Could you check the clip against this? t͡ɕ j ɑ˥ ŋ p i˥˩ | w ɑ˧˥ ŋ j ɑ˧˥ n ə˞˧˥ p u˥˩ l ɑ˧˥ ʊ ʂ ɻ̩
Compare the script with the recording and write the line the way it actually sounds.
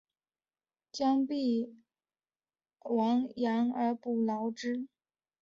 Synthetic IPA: t͡ɕ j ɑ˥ ŋ p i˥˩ | w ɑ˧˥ ŋ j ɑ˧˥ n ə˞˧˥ p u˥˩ l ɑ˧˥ ʊ ʈ͡ʂ ɻ̩